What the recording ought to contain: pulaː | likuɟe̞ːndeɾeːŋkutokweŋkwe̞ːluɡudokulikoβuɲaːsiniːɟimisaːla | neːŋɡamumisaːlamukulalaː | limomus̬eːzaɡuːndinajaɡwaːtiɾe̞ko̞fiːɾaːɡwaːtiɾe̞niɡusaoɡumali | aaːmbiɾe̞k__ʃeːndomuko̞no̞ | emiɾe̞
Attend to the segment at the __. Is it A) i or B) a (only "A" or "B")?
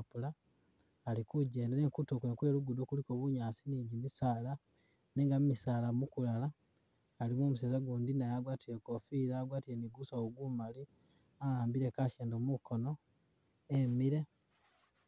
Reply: B